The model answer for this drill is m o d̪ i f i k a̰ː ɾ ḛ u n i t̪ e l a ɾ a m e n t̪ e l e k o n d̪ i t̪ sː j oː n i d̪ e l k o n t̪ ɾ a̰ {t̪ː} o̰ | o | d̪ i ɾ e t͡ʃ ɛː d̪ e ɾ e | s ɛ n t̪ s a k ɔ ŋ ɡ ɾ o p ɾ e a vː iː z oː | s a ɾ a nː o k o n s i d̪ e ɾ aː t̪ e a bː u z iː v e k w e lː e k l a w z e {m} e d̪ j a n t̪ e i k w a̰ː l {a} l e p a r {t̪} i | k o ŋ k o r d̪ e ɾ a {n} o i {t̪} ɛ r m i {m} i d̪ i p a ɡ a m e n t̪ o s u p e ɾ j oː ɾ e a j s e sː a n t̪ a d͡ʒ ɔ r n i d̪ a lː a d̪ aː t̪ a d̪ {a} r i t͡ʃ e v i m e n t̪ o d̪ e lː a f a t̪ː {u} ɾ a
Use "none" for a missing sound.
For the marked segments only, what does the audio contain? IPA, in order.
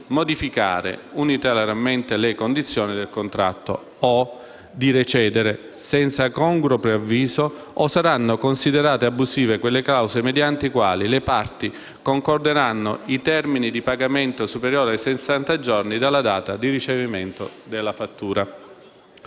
t̪ː, m, i, t̪, nː, t̪, n, i, uː

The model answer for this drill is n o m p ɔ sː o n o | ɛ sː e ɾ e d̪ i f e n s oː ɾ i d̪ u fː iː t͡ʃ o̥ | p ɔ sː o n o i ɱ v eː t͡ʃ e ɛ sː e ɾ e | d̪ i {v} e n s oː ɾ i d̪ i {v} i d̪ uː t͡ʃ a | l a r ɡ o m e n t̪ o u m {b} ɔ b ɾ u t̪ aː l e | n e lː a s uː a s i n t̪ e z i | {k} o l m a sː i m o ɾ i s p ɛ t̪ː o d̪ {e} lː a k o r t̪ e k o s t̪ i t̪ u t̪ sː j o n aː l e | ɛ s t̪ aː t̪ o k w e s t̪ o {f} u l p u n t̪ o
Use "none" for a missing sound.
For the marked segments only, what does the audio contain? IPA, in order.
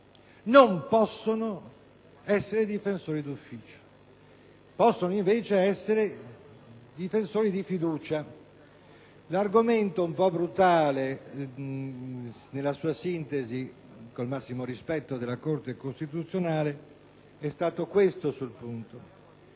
f, f, p, k, e, s

